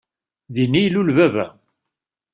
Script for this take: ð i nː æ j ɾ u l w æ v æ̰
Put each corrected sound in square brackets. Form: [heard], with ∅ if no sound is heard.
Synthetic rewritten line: ð i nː [i] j [l] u l [v] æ v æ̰